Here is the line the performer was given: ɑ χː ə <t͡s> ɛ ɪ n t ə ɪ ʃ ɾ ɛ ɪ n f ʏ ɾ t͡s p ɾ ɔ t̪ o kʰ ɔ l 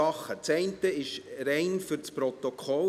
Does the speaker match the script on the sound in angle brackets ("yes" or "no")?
yes